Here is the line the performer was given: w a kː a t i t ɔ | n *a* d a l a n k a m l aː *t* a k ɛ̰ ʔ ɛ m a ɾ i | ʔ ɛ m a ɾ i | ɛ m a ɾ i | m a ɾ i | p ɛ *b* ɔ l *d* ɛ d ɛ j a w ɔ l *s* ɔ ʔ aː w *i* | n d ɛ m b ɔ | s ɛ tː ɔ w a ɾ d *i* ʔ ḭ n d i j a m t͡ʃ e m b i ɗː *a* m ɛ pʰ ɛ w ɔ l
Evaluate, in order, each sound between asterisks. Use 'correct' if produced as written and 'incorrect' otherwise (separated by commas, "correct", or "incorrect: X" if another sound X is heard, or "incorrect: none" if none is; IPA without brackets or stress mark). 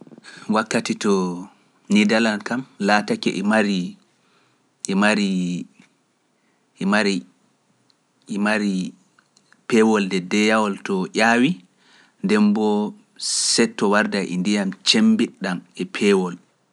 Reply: incorrect: i, correct, incorrect: w, correct, incorrect: t, correct, incorrect: a, correct